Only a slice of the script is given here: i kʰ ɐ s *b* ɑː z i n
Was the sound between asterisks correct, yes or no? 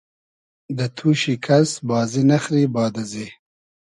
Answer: yes